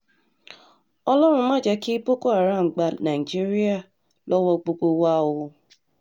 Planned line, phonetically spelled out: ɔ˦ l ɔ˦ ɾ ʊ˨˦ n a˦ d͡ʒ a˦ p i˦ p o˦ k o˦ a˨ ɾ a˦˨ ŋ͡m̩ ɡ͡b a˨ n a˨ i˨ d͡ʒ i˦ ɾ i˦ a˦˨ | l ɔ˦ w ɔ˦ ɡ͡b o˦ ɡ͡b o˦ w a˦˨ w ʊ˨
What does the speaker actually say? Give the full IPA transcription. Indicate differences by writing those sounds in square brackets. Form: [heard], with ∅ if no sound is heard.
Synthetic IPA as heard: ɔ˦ l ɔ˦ ɾ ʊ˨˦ [m] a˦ d͡ʒ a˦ [k] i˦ p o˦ k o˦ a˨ ɾ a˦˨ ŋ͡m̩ ɡ͡b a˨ n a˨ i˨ d͡ʒ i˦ ɾ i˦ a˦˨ | l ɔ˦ w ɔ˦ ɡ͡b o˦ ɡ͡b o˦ w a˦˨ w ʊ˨